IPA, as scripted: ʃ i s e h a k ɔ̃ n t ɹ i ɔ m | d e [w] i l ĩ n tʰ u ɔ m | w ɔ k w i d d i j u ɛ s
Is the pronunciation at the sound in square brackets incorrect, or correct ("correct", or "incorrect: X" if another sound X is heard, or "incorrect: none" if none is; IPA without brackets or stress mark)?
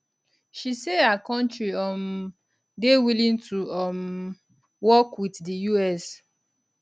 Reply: correct